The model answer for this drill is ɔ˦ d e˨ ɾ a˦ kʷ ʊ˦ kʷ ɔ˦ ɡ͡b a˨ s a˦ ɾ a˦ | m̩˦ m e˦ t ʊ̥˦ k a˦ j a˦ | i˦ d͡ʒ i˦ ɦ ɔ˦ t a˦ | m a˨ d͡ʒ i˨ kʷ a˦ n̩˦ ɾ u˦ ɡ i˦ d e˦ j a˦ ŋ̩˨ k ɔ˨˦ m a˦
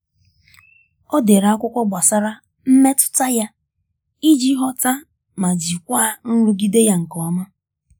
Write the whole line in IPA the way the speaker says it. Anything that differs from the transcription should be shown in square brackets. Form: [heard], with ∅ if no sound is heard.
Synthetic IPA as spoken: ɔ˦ d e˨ ɾ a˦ kʷ ʊ˦ kʷ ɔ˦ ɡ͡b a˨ s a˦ ɾ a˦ | m̩˦ m e˦ t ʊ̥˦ [t] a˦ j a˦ | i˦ d͡ʒ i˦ ɦ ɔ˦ t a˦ | m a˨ d͡ʒ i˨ kʷ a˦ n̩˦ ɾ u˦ ɡ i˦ d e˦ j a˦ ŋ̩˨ k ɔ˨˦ m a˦